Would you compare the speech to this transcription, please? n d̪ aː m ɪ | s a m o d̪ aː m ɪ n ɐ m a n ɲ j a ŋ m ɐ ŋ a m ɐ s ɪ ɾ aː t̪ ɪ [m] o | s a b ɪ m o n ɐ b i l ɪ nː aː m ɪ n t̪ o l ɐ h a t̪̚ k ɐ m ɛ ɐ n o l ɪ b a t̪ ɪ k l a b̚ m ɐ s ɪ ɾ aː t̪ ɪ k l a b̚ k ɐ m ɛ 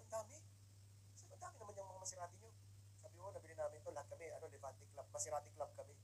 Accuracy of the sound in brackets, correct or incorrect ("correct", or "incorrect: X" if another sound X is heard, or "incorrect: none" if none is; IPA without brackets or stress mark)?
incorrect: ɲ